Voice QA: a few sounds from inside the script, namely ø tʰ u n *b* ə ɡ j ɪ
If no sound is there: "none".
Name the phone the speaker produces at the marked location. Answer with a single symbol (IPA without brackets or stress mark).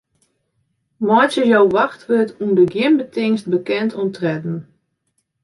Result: d